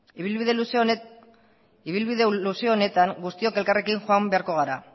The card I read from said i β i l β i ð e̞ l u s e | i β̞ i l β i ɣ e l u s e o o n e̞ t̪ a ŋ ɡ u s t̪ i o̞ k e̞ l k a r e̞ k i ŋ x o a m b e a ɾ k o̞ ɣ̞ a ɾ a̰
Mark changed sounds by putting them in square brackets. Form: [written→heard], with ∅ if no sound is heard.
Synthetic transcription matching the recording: i β i l β i ð e̞ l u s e | i β̞ i l β i [ɣ→ð] e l u s e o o n e̞ t̪ a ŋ ɡ u s t̪ i o̞ k e̞ l k a r e̞ k i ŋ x o a m b e a ɾ k o̞ ɣ̞ a ɾ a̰